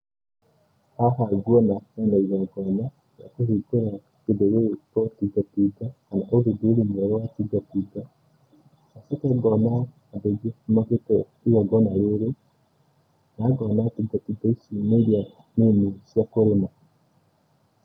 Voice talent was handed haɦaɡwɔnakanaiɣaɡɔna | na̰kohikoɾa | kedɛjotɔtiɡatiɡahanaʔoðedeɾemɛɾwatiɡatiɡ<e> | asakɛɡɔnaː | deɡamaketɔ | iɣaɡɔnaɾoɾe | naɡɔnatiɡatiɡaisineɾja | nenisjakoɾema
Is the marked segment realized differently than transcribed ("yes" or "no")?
yes